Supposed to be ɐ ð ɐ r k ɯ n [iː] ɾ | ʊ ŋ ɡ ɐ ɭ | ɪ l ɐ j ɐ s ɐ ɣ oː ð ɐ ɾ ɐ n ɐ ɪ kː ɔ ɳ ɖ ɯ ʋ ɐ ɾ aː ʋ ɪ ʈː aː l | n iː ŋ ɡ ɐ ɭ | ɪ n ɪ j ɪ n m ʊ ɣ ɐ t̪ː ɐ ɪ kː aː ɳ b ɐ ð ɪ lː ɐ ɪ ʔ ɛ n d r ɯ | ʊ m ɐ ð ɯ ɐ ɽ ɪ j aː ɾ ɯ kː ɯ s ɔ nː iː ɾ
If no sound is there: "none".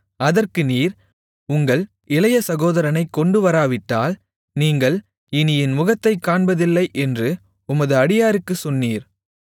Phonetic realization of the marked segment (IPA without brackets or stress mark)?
iː